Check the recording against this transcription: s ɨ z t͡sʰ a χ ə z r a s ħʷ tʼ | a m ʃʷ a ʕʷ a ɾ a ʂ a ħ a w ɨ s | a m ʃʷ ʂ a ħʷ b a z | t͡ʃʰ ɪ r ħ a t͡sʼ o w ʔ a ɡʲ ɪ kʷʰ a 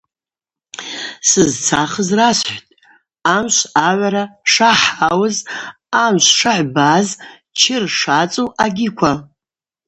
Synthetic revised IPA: s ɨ z t͡sʰ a χ ə z r a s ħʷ tʼ | a m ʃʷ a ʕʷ a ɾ a ʂ a ħ a w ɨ z | a m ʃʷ ʂ a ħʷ b a z | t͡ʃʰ ɪ r ʂ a t͡sʼ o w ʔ a ɡʲ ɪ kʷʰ a

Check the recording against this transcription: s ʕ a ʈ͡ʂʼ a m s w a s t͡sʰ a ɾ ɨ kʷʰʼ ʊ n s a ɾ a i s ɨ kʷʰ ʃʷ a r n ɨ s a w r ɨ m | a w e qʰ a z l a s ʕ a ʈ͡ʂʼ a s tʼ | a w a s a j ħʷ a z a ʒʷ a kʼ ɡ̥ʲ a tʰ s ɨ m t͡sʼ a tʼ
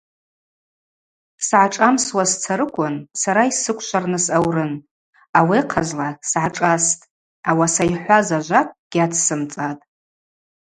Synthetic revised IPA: s ʕ a ʈ͡ʂʼ a m s w a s t͡sʰ a ɾ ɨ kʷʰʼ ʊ n s a ɾ a i s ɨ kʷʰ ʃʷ a r n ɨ s a w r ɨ n | a w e qʰ a z l a s ʕ a ʈ͡ʂʼ a s tʼ | a w a s a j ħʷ a z a ʒʷ a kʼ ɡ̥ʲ a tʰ s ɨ m t͡sʼ a tʼ

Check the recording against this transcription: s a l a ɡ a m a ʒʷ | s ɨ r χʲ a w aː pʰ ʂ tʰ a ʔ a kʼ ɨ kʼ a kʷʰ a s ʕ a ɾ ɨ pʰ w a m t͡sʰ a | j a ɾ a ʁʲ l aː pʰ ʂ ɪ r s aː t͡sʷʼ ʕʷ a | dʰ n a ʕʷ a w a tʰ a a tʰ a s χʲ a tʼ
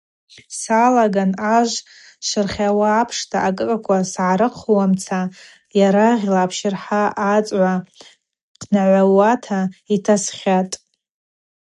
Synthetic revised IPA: s a l a ɡ a n a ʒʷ | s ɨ r χʲ a w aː pʰ ʂ tʰ a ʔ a kʼ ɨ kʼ a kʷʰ a s ʕ a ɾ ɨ qʰ w a m t͡sʰ a | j a ɾ a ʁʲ l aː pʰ ʃ ɪ r ħ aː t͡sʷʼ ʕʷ a | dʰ n a ʕʷ a w a tʰ a i tʰ a s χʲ a tʼ

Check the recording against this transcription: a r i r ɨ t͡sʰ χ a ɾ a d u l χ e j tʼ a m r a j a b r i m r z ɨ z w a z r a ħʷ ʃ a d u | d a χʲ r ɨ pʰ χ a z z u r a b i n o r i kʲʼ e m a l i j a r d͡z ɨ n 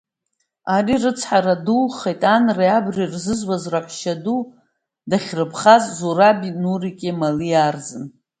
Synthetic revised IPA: a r i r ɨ t͡sʰ ħ a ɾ a d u l χ e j tʼ a n r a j a b r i r z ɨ z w a z r a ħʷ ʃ a d u | d a χʲ r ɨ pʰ χ a z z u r a b i n u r i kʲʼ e m a l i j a r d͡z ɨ n

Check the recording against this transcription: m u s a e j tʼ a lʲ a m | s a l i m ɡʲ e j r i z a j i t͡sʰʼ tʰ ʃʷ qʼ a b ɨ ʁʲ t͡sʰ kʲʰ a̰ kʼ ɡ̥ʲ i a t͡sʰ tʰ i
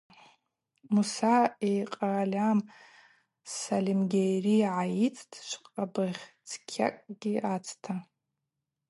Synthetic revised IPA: m u s a e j qʼ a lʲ a m | s a l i m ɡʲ e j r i ʕ a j i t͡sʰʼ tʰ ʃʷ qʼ a b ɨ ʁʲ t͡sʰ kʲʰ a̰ kʼ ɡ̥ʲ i a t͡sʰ tʰ a

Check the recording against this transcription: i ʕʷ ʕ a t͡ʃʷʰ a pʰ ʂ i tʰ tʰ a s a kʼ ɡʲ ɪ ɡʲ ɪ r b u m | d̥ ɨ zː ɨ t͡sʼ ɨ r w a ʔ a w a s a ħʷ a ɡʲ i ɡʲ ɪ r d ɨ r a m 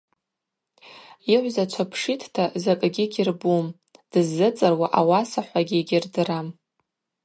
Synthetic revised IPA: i ʕʷ z a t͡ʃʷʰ a pʰ ʂ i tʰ tʰ a z a kʼ ɡʲ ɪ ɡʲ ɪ r b u m | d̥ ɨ zː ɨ t͡sʼ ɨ r w a ʔ a w a s a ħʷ a ɡʲ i ɡʲ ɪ r d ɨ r a m

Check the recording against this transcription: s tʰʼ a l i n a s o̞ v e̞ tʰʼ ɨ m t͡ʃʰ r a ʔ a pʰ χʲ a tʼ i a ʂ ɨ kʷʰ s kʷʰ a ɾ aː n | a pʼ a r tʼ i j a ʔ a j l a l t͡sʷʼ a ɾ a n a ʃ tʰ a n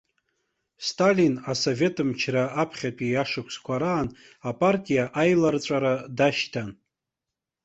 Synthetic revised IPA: s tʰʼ a l i n a s o̞ v e̞ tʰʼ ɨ m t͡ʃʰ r a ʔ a pʰ χʲ a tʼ i a ʂ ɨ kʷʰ s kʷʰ a ɾ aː n | a pʼ a r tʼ i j a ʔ a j l a r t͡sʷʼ a ɾ a d a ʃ tʰ a n

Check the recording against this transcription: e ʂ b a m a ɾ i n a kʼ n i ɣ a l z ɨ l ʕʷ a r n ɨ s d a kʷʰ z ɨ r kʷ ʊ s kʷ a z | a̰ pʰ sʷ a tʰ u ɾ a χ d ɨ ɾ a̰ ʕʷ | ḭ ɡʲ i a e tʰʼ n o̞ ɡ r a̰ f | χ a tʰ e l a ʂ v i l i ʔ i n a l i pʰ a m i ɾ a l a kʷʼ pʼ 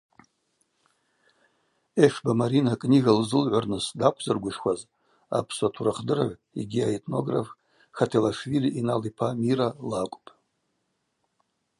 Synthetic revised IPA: e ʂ b a m a ɾ i n a kʼ n i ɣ a l z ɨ l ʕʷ a r n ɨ s d a kʷʰ z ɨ r ɡʷ ʊ ʂ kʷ a z | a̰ pʰ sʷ a tʰ u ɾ a χ d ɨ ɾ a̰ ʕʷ | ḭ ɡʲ i a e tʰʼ n o̞ ɡ r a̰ f | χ a tʰ e l a ʂ v i l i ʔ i n a l i pʰ a m i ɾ a l a kʷʼ pʼ

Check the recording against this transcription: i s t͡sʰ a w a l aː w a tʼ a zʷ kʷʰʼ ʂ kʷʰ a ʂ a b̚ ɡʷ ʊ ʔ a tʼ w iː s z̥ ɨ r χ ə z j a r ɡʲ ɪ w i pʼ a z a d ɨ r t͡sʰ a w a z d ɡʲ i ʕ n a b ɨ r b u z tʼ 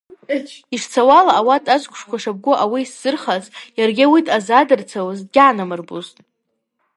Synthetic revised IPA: i ʂ t͡sʰ a w a l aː w a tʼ a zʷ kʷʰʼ ʂ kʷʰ a ʂ a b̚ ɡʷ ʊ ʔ a w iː s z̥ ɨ r χ a z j a r ɡʲ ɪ w i tʼ a z a d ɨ r t͡sʰ a w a z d ɡʲ a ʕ n a m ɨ r b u z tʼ

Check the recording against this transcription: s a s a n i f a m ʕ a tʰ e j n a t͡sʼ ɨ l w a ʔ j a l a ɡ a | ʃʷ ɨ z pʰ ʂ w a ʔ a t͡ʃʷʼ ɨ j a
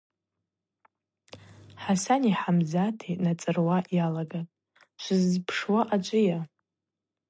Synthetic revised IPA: ħ a s a n i ħ a m z a tʰ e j n a t͡sʼ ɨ r w a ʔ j a l a ɡ a | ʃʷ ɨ z pʰ ʂ w a ʔ a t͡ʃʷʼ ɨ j a

